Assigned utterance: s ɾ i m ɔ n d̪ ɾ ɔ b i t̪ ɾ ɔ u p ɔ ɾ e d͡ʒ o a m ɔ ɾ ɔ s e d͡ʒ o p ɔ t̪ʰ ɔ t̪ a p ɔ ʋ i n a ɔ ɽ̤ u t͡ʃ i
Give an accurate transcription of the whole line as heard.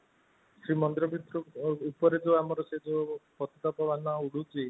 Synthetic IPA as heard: s ɾ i m ɔ n d̪ ɾ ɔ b i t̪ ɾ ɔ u p ɔ ɾ e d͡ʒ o a m ɔ ɾ ɔ s e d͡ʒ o p ɔ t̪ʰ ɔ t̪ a p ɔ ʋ a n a u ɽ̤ u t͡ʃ i

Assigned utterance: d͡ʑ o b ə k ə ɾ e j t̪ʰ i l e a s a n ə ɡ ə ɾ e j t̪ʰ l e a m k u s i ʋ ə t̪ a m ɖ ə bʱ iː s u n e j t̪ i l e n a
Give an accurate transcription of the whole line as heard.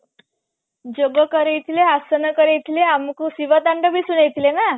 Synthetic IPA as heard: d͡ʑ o ɡ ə k ə ɾ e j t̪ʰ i l e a s ə n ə k ə ɾ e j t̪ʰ l e a m k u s i ʋ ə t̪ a ɳ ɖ ə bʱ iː s u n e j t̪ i l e n a

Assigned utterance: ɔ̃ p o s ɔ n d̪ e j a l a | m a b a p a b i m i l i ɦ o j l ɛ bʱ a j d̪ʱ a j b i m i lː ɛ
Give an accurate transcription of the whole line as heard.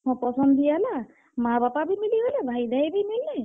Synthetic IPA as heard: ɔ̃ p ɔ s ɔ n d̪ i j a l a | m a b a p a b i m i l i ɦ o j l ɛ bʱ a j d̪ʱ a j b i m i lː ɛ

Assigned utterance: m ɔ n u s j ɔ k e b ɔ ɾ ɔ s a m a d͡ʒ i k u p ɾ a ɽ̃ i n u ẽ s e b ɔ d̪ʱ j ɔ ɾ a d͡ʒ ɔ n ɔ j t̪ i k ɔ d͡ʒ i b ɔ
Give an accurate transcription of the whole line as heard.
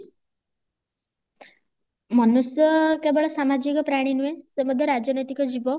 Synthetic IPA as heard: m ɔ n u s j ɔ k e b ɔ ɭ ɔ s a m a d͡ʒ i k ɔ p ɾ a ɽ̃ i n u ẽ s e m ɔ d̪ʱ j ɔ ɾ a d͡ʒ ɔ n ɔ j t̪ i k ɔ d͡ʒ i b ɔ

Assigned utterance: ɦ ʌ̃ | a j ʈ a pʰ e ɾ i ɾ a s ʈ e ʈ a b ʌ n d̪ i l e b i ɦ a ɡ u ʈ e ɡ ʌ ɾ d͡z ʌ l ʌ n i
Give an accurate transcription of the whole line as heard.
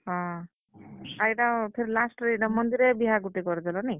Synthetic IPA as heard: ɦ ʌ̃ | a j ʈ a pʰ e ɾ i l a s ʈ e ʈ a m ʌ n d̪ i ɾ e b i ɦ a ɡ u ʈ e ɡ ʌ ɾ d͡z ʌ l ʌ n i

